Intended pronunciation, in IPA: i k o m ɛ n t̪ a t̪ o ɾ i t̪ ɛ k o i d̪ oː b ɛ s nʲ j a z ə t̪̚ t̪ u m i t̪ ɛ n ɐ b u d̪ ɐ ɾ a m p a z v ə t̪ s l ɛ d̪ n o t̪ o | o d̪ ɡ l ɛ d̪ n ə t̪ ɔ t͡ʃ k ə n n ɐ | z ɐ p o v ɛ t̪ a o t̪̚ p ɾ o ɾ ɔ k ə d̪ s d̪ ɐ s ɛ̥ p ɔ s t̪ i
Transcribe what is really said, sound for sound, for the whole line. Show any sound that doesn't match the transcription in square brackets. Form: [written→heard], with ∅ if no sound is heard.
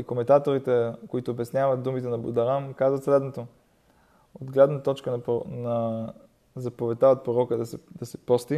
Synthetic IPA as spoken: i k o m ɛ n t̪ a t̪ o ɾ i t̪ ɛ k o i [d̪→t̪] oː b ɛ s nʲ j a [z→v] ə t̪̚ [t̪→d̪] u m i t̪ ɛ n ɐ b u d̪ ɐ ɾ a m [p→k] a z v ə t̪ s l ɛ d̪ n o t̪ o | o d̪ ɡ l ɛ d̪ n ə t̪ ɔ t͡ʃ k ə n n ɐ | z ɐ p o v ɛ t̪ a o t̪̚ p ɾ o ɾ ɔ k ə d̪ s d̪ ɐ s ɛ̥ p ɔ s t̪ i